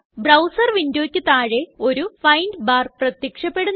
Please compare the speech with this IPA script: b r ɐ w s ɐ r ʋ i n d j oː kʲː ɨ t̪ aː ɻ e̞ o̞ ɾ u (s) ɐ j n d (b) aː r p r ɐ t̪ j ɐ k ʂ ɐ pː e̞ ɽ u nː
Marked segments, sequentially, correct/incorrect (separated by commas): incorrect, correct